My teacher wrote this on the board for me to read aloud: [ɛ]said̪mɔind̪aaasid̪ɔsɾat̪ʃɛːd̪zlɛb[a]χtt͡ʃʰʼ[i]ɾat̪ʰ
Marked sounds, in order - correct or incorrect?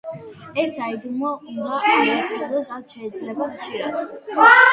correct, correct, correct

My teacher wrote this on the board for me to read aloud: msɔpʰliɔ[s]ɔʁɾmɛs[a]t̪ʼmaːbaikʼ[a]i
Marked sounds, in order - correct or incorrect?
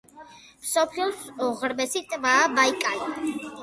correct, incorrect, correct

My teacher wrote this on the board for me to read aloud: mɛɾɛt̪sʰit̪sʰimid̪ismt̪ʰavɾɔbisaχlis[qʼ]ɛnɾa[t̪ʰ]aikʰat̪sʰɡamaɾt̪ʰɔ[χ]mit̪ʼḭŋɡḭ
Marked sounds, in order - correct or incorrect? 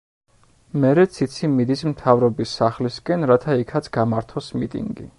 incorrect, correct, incorrect

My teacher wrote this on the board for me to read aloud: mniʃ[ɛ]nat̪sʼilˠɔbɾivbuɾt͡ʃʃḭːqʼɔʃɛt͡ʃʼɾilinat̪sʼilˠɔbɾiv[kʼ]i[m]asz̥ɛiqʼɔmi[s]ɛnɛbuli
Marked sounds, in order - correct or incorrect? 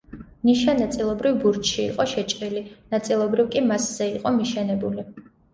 incorrect, correct, correct, incorrect

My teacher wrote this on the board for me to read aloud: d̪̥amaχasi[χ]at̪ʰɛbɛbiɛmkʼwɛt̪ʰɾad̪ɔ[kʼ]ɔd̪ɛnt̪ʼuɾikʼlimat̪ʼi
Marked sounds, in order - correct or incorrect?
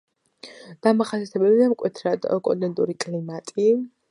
incorrect, correct

